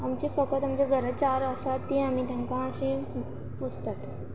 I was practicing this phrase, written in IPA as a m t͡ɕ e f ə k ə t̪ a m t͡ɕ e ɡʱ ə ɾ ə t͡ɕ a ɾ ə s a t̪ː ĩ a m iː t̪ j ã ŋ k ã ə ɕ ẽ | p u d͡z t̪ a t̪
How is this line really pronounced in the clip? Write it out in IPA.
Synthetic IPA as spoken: a m t͡ɕ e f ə k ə t̪ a m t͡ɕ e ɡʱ ə ɾ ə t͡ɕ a ɾ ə s a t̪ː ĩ a m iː t̪ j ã ŋ k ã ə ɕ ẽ | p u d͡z t̪ a t̪